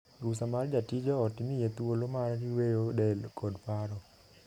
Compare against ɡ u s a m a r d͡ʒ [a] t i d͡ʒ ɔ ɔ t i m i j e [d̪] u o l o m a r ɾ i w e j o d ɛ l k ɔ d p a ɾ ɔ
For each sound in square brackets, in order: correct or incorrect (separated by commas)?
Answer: correct, incorrect